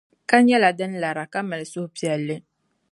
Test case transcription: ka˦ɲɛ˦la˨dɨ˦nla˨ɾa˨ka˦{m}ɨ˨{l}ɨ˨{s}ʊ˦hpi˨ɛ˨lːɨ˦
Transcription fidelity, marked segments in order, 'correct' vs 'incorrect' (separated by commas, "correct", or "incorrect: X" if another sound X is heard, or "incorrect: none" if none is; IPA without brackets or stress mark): correct, correct, correct